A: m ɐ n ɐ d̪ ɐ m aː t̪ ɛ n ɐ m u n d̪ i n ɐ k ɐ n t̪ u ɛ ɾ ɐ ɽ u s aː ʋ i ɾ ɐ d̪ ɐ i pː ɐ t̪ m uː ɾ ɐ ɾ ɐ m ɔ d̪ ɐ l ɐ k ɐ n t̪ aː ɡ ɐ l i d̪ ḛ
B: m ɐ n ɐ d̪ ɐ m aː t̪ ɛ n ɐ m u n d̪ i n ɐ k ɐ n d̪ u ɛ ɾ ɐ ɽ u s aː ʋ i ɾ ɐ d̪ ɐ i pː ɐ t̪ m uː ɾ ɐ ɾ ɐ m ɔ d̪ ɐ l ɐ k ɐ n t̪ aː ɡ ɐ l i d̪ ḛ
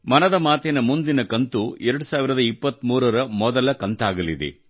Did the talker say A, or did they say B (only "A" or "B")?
A